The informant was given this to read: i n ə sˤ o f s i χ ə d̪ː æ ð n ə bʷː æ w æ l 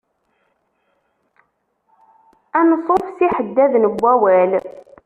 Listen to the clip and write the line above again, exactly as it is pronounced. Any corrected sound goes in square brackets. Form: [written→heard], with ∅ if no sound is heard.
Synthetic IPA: [i→æ] n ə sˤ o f s i [χ→ħ] ə d̪ː æ ð n ə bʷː æ w æ l